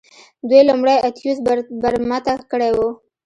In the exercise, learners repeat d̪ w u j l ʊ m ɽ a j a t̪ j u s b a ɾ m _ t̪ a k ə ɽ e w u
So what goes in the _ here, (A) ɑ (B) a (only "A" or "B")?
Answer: B